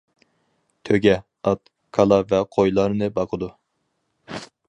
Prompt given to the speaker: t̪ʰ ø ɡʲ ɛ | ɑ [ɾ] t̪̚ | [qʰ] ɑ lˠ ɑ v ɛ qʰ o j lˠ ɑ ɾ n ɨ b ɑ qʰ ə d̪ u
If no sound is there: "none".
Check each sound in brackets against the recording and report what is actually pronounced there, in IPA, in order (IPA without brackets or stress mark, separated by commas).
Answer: none, kʰ